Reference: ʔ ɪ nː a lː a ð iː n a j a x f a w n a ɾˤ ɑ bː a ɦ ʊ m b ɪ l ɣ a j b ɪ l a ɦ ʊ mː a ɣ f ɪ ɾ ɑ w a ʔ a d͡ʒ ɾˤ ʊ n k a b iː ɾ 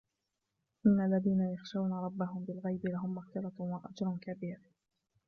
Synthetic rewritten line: ʔ ɪ nː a lː a ð iː n a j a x ʃ a w n a ɾˤ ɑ bː a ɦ ʊ m b ɪ l ɣ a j b ɪ l a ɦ ʊ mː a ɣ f ɪ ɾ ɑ w a ʔ a d͡ʒ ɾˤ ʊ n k a b iː ɾ